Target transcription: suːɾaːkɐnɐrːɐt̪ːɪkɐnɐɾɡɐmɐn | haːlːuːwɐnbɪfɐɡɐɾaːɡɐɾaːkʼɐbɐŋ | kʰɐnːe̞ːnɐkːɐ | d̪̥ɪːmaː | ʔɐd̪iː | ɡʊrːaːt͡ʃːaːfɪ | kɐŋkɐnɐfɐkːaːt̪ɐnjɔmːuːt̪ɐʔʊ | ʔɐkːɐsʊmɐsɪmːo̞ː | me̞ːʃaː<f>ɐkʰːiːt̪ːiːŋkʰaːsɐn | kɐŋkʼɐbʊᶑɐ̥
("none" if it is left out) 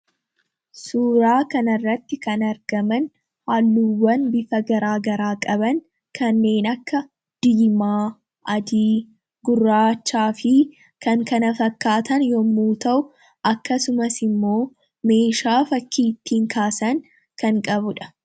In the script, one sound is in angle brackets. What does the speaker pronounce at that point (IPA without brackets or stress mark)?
f